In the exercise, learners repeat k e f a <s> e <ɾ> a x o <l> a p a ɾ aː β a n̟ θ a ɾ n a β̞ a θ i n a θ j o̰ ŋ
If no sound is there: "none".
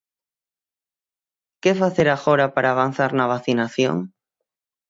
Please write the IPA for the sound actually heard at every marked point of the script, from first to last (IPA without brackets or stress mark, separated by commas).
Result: θ, ɾ, ɾ